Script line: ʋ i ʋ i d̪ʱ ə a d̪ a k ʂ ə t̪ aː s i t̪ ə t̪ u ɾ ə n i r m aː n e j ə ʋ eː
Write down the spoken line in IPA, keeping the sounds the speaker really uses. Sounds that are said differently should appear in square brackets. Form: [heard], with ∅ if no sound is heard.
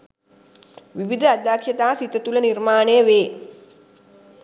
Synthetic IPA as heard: ʋ i ʋ i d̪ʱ ə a d̪ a k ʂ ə t̪ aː s i t̪ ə t̪ u [l] ə n i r m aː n e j ə ʋ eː